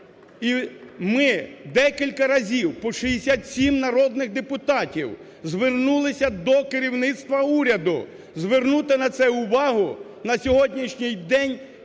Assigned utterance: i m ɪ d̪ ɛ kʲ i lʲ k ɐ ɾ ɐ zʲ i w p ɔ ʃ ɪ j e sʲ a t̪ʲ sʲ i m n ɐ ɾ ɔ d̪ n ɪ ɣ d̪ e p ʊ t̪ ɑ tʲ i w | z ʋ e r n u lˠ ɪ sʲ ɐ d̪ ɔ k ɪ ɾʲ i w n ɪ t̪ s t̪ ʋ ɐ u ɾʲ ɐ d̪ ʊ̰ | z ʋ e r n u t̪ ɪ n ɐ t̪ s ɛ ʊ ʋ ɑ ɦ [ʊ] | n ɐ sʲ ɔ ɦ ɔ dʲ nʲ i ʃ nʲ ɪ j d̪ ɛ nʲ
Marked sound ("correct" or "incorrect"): correct